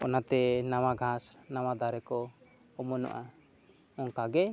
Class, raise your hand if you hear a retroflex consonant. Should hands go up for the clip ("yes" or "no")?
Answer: no